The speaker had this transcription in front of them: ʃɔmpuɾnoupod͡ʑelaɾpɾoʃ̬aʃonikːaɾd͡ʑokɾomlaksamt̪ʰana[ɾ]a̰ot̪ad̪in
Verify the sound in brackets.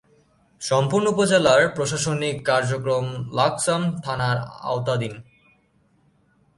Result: correct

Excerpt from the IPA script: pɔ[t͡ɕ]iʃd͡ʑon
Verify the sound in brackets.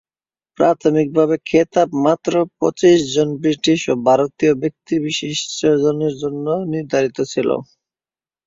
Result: correct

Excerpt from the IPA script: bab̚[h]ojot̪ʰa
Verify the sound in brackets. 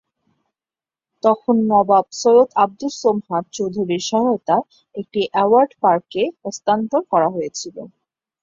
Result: incorrect: s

